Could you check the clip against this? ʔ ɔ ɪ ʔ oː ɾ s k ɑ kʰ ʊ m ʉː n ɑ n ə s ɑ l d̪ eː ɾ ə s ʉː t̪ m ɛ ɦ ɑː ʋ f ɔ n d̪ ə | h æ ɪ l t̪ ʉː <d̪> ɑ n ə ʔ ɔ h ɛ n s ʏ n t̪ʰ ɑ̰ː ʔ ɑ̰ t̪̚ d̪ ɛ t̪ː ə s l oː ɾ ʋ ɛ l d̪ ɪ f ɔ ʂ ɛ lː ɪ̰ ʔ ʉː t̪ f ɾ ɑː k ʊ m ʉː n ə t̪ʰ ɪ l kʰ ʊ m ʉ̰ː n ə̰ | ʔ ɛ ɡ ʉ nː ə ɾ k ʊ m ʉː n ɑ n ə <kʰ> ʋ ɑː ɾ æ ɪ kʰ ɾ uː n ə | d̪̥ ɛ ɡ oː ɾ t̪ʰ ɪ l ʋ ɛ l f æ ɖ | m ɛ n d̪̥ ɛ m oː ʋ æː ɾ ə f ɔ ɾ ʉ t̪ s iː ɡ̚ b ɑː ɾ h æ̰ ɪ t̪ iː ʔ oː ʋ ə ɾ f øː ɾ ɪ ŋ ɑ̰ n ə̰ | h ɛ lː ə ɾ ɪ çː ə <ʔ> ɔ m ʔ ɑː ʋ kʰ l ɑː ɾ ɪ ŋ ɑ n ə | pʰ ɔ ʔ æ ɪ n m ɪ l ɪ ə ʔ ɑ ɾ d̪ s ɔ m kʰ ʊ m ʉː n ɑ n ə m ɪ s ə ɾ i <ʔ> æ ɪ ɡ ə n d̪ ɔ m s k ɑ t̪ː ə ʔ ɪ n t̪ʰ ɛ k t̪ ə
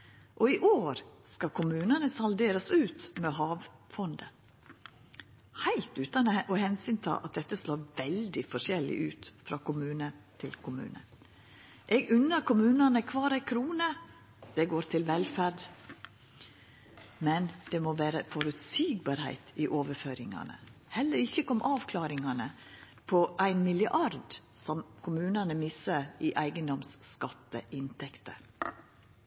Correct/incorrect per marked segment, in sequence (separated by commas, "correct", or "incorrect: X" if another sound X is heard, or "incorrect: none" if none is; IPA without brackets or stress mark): incorrect: t̪, correct, incorrect: k, correct